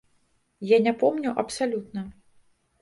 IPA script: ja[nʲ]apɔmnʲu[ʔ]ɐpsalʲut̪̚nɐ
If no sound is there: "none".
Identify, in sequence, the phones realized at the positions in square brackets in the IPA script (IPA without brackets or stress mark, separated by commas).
nʲ, ʔ